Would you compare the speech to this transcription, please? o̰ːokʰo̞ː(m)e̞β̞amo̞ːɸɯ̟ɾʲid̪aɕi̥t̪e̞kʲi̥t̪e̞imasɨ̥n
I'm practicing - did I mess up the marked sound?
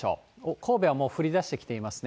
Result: yes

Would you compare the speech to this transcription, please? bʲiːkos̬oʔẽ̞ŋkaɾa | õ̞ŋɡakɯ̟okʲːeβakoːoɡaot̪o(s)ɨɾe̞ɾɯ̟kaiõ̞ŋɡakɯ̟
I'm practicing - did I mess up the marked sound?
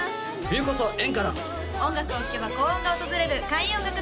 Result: yes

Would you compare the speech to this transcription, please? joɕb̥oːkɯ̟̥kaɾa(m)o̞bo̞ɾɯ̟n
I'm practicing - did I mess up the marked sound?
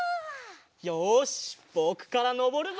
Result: yes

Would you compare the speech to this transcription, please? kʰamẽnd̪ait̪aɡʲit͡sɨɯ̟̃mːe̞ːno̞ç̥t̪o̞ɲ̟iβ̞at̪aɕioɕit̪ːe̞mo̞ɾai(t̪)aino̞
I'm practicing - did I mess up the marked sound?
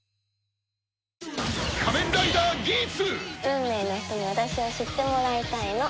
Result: no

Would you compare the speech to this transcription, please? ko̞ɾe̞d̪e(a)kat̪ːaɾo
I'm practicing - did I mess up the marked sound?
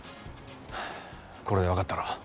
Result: no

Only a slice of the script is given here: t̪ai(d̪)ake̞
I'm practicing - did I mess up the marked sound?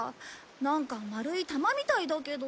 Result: no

